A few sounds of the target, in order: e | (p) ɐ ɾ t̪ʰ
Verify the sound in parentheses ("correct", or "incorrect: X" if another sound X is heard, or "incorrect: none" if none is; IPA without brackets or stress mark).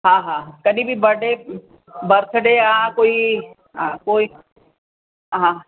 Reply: incorrect: b